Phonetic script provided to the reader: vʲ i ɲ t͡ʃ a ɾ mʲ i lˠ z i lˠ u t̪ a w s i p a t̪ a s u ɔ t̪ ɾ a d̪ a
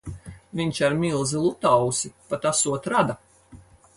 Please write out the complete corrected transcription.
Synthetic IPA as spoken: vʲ i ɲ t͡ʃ a ɾ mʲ i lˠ z i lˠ u t̪ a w s i p a t̪ a s u ɔ t̪ ɾ a d̪ a